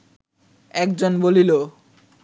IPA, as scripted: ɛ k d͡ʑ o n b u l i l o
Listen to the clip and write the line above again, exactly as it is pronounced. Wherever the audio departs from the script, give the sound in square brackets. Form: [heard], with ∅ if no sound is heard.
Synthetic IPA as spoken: ɛ k d͡ʑ o n b [o] l i l o